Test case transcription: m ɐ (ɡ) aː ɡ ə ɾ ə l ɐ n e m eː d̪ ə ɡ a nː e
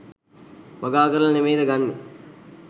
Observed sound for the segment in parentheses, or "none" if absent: ɡ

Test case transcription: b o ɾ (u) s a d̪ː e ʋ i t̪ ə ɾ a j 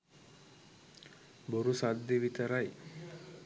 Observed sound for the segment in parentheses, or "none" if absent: u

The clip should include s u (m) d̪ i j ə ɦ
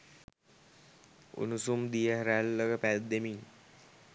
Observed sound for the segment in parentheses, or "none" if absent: m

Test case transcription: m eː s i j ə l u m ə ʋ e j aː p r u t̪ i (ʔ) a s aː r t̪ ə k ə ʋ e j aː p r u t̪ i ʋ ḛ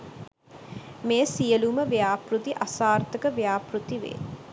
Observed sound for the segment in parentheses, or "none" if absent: ʔ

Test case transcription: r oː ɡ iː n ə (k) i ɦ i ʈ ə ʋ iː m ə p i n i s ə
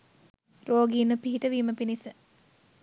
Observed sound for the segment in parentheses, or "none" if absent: p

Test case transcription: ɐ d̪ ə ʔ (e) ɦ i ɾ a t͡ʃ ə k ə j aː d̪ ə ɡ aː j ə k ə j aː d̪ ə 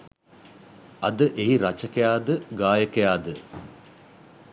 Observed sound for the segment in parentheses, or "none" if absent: e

